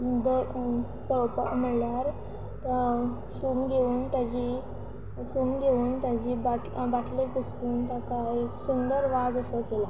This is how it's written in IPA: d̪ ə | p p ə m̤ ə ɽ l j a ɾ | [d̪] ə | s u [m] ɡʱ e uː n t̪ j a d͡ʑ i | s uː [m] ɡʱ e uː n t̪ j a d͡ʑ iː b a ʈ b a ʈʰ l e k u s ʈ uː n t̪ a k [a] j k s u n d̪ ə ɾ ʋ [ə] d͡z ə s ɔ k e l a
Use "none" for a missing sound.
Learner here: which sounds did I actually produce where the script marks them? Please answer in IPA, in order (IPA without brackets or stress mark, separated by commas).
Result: t̪, m, m, a, a